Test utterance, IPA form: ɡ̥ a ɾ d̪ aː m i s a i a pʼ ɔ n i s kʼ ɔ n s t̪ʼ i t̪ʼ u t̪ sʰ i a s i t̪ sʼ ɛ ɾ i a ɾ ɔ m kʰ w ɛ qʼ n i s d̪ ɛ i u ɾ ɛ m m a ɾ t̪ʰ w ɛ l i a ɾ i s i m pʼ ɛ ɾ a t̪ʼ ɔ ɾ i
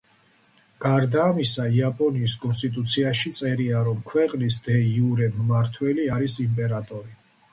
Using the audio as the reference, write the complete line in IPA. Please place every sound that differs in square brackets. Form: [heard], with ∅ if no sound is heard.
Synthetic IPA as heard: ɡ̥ a ɾ d̪ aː m i s a i a pʼ ɔ n [iː] s kʼ ɔ n s t̪ʼ i t̪ʼ u t̪ sʰ i a [ʃ] i t̪ sʼ ɛ ɾ i a ɾ ɔ m kʰ w ɛ qʼ n i s d̪ ɛ i u ɾ ɛ m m a ɾ t̪ʰ w ɛ l i a ɾ i s i m pʼ ɛ ɾ a t̪ʼ ɔ ɾ i